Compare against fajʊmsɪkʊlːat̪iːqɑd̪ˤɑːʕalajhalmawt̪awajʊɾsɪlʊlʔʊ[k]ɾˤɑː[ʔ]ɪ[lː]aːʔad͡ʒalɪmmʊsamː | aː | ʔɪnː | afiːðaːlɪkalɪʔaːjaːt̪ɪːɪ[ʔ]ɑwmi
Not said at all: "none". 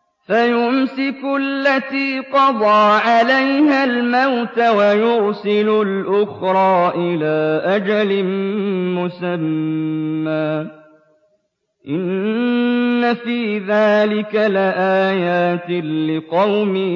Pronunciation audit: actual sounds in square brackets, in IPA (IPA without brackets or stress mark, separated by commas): x, ʔ, l, q